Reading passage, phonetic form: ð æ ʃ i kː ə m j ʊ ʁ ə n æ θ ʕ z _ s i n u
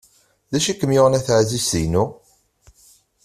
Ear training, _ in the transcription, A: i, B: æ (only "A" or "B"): A